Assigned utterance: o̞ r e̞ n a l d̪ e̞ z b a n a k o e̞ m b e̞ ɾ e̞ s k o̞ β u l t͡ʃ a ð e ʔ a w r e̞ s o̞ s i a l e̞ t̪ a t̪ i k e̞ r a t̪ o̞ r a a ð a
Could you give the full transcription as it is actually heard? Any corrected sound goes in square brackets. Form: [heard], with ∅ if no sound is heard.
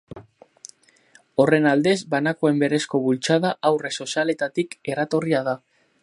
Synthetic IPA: o̞ r e̞ n a l d̪ e̞ z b a n a k o e̞ m b e̞ ɾ e̞ s k o̞ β u l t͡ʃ a ð [a] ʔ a w r e̞ s o̞ s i a l e̞ t̪ a t̪ i k e̞ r a t̪ o̞ r [i] a ð a